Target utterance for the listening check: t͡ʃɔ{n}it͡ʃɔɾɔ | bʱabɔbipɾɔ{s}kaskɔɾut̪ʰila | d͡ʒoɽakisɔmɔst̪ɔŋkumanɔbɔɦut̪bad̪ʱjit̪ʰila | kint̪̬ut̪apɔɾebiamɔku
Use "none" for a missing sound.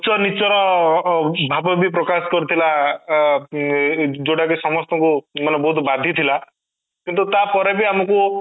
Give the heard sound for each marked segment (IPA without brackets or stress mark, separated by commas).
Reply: n, none